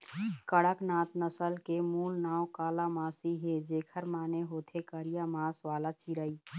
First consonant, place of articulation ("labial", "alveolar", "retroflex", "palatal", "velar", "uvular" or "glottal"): velar